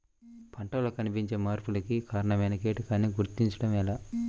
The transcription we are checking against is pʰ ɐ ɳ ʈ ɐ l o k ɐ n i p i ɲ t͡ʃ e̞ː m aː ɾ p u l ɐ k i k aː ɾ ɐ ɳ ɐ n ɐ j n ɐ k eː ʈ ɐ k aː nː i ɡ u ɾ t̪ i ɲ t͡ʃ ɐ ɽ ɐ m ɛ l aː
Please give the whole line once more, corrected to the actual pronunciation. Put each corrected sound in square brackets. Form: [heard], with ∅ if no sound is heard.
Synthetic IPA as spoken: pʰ ɐ ɳ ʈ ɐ l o k ɐ n i p i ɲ t͡ʃ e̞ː m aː ɾ p u l ɐ k i k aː ɾ ɐ ɳ ɐ [m] ɐ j n ɐ k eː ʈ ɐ k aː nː i ɡ u ɾ t̪ i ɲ t͡ʃ ɐ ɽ ɐ m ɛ l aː